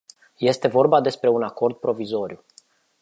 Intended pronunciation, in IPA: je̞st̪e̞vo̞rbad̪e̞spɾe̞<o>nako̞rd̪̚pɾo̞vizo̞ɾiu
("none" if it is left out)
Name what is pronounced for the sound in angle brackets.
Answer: u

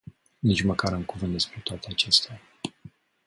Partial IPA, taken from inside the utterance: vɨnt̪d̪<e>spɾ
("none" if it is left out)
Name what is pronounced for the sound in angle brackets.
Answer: e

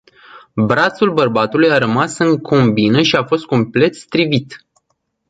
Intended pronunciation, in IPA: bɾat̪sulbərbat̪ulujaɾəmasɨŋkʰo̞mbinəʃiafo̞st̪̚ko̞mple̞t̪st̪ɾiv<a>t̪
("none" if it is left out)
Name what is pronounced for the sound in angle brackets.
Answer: i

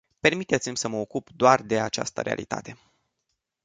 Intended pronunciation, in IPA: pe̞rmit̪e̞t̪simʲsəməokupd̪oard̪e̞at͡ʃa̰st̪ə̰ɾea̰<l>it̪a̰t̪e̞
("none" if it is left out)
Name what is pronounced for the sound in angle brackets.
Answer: l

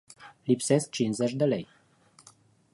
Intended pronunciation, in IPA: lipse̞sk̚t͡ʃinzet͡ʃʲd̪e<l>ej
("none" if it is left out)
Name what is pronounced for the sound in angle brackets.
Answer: l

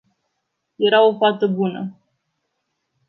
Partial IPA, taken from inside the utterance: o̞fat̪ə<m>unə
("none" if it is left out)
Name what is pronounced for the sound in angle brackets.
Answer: b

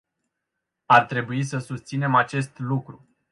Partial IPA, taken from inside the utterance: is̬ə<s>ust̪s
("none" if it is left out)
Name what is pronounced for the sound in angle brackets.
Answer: s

